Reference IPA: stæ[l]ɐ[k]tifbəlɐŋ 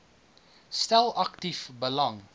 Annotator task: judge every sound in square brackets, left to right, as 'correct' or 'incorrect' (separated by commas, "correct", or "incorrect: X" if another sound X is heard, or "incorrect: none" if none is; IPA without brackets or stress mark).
correct, correct